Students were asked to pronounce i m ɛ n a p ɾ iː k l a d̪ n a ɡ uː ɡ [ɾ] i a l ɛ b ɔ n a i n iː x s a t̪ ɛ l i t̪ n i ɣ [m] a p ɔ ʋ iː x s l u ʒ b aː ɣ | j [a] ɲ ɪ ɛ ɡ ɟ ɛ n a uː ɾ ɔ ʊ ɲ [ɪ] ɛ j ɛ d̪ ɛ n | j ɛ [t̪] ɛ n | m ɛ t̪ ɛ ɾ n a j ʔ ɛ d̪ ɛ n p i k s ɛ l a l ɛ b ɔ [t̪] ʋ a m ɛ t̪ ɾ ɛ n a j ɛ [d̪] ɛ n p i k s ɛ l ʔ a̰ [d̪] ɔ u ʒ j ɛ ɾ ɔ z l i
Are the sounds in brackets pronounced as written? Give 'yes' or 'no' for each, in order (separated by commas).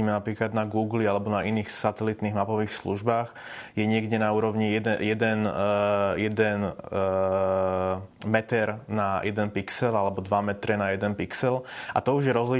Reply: no, yes, no, no, no, no, yes, no